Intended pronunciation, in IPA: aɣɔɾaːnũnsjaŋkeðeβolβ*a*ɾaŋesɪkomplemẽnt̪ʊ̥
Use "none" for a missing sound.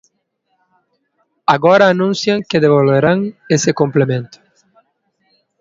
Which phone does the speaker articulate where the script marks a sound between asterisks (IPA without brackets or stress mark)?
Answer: e